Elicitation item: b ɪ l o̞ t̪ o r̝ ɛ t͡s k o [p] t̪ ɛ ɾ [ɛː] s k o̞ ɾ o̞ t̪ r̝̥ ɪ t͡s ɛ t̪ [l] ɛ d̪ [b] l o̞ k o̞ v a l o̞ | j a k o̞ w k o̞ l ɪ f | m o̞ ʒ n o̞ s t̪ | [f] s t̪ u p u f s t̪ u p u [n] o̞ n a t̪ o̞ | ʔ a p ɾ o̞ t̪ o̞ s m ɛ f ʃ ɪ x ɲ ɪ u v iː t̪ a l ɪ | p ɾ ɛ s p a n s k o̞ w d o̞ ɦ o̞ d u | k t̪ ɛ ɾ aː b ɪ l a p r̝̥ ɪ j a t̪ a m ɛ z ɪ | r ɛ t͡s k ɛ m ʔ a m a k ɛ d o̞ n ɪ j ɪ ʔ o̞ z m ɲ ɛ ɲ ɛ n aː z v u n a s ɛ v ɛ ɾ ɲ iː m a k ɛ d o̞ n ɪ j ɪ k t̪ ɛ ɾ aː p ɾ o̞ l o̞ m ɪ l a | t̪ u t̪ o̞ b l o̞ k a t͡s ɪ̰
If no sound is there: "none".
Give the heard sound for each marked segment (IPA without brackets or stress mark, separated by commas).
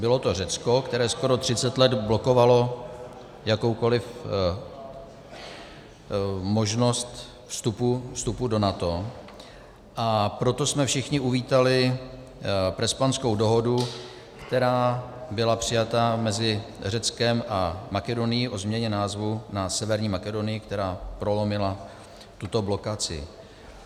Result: k, ɛː, l, b, f, d